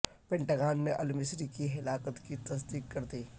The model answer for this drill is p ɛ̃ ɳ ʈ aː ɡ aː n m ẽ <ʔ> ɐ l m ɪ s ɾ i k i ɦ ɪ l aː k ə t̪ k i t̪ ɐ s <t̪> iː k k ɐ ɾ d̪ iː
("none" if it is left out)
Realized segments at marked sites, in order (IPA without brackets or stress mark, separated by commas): ʔ, d̪